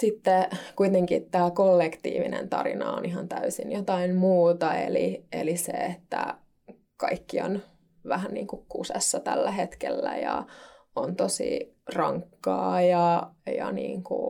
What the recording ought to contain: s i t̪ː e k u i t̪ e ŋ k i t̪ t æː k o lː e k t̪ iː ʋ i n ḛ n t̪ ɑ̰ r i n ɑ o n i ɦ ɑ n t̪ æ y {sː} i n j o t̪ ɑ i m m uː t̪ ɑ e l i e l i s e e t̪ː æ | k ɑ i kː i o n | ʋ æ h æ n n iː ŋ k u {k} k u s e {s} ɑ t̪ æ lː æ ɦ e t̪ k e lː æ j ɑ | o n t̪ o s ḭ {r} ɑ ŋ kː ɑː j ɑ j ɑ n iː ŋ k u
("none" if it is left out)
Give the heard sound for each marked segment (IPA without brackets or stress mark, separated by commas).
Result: s, k, sː, r